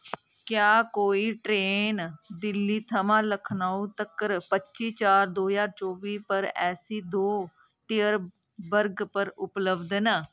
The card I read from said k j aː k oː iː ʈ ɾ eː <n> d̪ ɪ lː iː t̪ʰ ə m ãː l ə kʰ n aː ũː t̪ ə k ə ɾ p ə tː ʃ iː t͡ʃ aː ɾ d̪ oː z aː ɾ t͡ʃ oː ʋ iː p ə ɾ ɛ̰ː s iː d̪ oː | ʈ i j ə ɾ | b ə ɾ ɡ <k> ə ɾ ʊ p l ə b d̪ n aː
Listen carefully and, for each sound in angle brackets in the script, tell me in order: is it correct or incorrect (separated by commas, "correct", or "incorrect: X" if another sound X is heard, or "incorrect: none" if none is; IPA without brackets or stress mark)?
correct, incorrect: p